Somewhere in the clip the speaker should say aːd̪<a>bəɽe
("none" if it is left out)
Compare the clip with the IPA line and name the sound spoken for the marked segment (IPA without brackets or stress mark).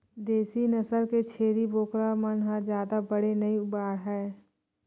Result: a